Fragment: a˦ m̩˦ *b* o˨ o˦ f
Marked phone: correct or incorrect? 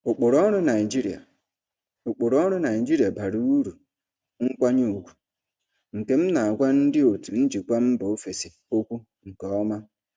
correct